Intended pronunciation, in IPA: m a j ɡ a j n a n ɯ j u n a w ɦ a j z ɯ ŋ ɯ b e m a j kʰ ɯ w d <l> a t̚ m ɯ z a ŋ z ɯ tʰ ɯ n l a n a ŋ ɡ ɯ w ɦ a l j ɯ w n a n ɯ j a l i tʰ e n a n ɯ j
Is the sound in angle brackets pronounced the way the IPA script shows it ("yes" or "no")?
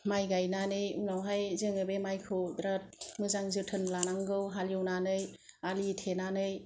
no